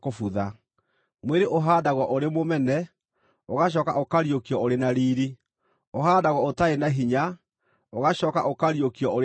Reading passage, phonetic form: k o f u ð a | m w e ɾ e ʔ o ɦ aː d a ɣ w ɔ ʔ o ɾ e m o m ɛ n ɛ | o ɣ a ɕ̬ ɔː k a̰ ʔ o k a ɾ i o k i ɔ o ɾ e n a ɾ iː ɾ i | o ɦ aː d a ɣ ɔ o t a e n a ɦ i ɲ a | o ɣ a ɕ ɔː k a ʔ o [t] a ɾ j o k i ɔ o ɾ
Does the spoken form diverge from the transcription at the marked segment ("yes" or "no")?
yes